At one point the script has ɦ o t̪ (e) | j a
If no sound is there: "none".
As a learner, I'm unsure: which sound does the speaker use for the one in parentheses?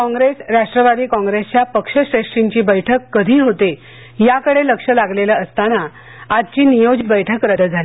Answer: e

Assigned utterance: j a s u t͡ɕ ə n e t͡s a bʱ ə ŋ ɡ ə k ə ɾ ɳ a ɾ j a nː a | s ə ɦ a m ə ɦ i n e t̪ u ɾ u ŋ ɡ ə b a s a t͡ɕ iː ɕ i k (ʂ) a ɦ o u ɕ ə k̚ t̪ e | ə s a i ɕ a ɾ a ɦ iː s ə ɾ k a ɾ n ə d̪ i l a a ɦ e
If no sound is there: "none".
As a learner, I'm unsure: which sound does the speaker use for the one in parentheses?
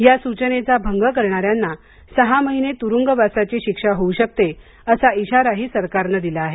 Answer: ʂ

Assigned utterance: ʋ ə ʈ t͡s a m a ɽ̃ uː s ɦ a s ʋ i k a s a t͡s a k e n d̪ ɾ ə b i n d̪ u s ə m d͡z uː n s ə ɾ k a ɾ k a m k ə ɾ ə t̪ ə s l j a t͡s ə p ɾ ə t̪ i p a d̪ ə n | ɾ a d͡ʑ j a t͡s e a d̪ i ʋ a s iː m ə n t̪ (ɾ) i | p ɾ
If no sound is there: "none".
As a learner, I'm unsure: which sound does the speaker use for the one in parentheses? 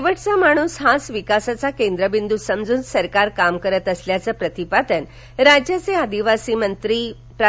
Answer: ɾ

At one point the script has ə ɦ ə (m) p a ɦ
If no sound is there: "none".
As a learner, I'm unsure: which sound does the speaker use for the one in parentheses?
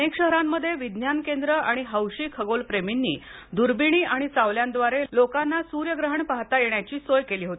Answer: ɳ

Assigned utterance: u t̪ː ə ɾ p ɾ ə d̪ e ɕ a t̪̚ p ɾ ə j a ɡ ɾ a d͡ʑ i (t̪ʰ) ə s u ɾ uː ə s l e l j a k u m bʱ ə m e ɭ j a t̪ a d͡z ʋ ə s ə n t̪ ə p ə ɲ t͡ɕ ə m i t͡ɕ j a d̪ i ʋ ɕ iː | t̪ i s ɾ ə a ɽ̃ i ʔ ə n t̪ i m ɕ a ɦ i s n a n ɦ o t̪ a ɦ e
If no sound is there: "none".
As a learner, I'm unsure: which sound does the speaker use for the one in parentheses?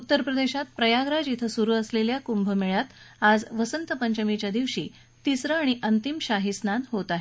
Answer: t̪ʰ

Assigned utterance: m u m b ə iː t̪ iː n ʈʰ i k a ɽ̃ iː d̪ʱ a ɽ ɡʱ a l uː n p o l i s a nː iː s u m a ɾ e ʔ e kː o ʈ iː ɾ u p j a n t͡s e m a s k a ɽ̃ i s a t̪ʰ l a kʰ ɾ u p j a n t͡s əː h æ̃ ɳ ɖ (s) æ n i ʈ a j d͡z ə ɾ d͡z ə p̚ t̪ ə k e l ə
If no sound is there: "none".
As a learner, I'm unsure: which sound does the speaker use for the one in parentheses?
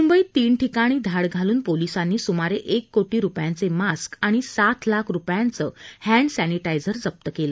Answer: s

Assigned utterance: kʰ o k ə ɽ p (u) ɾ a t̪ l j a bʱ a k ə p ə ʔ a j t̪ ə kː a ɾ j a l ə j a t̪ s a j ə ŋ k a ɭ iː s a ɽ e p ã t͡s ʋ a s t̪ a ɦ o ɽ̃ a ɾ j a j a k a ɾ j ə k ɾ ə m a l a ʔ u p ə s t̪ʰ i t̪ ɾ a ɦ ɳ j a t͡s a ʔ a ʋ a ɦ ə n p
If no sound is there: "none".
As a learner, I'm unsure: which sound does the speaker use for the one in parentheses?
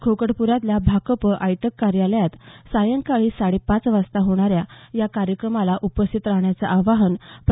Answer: u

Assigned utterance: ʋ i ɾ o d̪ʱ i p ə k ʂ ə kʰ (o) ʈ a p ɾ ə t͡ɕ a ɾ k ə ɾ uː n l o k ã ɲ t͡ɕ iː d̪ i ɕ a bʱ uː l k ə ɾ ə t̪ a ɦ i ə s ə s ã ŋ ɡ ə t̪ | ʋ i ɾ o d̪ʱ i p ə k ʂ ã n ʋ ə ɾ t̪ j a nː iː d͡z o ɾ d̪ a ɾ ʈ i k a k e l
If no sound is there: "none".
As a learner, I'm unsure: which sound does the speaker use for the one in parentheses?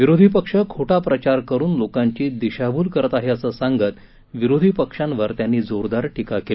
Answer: o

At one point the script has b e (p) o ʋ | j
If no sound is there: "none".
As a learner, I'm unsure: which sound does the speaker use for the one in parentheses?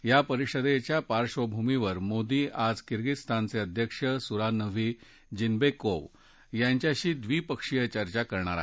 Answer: k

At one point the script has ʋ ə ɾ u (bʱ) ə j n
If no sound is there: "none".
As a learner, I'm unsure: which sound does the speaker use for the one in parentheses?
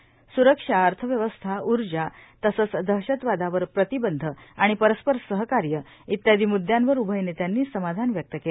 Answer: bʱ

